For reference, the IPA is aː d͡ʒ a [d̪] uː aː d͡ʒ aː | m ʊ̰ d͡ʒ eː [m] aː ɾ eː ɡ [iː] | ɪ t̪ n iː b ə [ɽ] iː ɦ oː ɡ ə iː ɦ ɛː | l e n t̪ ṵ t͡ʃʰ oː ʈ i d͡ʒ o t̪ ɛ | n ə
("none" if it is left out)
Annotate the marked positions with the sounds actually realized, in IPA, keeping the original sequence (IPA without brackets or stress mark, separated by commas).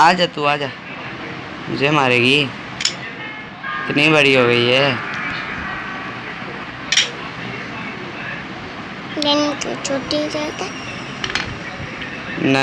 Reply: t̪, m, iː, ɽ